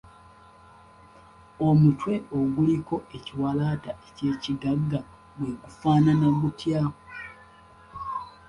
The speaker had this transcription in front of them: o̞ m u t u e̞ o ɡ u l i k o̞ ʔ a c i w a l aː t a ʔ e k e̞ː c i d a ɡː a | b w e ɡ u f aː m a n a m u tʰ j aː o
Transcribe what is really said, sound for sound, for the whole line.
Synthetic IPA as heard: o̞ m u t w e̞ o ɡ u l i k o̞ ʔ e c i w a l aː t a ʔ e c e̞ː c i d a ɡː a | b w e ɡ u f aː n a n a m u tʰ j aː o

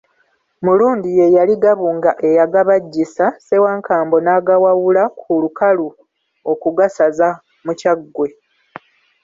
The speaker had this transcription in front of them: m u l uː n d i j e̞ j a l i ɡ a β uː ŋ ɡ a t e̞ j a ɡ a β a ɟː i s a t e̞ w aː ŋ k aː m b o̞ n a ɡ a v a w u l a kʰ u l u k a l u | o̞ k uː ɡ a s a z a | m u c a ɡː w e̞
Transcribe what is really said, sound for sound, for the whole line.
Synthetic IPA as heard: m u l uː n d i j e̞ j a l i ɡ a β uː ŋ ɡ a ʔ e̞ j a ɡ a β a ɟː i s a s e̞ w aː ŋ k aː m b o̞ n a ɡ a w a w u l a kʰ u l u k a l u | o̞ k u ɡ a s a z a | m u c a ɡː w e̞

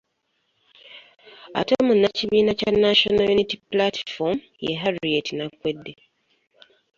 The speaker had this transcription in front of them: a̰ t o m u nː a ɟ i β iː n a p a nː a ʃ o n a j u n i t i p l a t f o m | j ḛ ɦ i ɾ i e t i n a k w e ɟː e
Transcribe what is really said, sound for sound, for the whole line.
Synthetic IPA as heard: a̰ t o m u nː a c i β iː n a c a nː a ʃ o n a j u n i t i p l a t f o m | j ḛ ɦ a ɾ i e t i n a k w e dː e

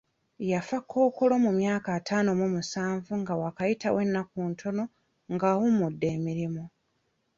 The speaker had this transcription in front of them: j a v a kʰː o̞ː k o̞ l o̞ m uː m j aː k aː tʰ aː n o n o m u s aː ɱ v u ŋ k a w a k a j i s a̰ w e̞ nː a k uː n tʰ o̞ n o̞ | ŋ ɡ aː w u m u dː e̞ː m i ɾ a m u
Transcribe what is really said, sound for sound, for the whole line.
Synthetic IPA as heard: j a f a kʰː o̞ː k o̞ l o̞ m u m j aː k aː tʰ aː n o m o m u s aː ɱ v u ŋ ɡ a w a k a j i t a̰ w e̞ nː a k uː n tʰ o̞ n o̞ | ŋ ɡ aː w u m u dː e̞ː m i ɾ i m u

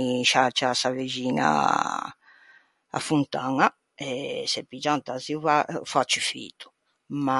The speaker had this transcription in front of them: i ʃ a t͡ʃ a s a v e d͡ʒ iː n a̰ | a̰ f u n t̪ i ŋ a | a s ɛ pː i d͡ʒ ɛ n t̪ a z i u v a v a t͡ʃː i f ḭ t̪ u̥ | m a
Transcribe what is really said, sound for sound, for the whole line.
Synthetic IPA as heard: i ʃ a t͡ʃ a s a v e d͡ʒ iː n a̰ | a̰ f u n t̪ a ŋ a | ɛ s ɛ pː i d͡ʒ a n t̪ a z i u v a f a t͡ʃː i f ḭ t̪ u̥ | m a

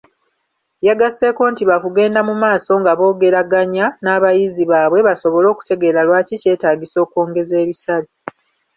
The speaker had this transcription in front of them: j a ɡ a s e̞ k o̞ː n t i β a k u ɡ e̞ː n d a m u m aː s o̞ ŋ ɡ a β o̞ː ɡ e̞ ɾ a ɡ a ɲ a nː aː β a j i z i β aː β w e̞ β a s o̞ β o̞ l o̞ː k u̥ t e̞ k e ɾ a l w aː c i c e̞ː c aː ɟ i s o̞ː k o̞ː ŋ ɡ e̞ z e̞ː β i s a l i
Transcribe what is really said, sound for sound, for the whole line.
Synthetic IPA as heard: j a ɡ a s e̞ k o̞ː n t i β a k u ɡ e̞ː n d a m u m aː s o̞ ŋ ɡ a β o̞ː ɡ e̞ ɾ a ɡ a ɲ a n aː β a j i z i β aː β w e̞ β a s o̞ β o̞ l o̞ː k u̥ t e̞ ɡ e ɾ a l w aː c i c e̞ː t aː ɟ i s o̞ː k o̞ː ŋ ɡ e̞ z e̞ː β i s a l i

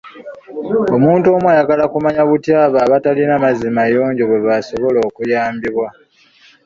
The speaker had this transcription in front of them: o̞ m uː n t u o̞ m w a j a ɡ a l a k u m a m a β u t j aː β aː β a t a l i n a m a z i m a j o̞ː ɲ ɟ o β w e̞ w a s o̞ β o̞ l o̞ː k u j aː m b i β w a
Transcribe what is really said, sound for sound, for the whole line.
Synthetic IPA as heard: o̞ m uː n t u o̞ m w a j a ɡ a l a k u m a ɲ a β u t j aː β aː β a t a l i n a m a z i m a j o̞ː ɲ ɟ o β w e̞ β a s o̞ β o̞ l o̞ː k u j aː m b i β w a

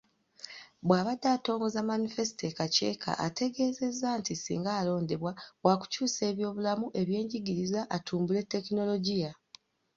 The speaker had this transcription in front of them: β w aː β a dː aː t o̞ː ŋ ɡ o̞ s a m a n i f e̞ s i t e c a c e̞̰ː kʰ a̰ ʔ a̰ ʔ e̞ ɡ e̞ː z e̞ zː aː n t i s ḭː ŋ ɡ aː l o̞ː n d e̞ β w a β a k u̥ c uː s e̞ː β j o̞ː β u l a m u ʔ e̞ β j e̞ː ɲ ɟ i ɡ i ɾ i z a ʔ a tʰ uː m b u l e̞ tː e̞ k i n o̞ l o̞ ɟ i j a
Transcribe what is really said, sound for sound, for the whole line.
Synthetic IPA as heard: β w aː β a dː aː t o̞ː ŋ ɡ o̞ z a m a n i f e̞ s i t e k a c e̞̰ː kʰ a̰ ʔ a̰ t e̞ ɡ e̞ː z e̞ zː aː n t i s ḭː ŋ ɡ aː l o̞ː n d e̞ β w a w a k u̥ c uː s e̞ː β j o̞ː β u l a m u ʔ e̞ β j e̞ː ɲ ɟ i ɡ i ɾ i z a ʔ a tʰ uː m b u l e̞ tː e̞ k i n o̞ l o̞ ɟ i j a

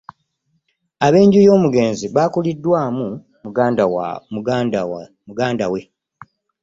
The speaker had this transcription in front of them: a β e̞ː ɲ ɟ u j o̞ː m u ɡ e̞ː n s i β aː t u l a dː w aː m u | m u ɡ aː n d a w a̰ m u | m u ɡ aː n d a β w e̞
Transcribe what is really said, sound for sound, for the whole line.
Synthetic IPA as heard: a β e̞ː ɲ ɟ u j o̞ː m u ɡ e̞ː n z i β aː k u l i dː w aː m u | m u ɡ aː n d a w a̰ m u | m u ɡ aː n d a w e̞

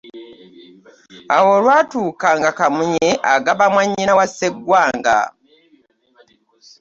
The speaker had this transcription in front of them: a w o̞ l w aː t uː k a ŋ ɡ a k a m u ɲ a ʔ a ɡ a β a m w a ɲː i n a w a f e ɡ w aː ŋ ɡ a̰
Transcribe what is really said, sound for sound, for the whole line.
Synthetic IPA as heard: a w o̞ l w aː t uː k a ŋ ɡ a k a m u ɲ e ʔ a ɡ a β a m w a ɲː i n a w a s e ɡ w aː ŋ ɡ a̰

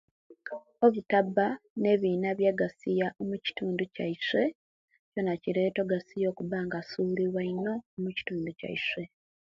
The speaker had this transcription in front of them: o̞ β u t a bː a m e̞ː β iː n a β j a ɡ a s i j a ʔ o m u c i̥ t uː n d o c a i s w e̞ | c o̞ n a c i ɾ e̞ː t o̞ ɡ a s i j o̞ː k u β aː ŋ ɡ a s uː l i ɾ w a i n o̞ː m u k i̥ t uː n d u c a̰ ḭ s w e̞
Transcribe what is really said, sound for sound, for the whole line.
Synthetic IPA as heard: o̞ β u t a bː a n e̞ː β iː n a β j a ɡ a s i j a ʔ o m u c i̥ t uː n d u c a i s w e̞ | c o̞ n a c i ɾ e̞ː t o̞ ɡ a s i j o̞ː k u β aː ŋ ɡ a s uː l i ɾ w a i n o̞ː m u c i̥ t uː n d u c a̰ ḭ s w e̞

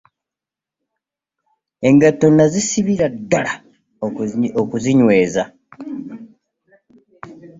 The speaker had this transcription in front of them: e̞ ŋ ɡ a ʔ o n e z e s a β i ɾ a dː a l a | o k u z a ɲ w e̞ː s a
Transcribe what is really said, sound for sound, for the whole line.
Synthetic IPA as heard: e̞ ŋ ɡ a t o n a z i s i β i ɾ a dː a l a | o k u z i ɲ w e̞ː z a

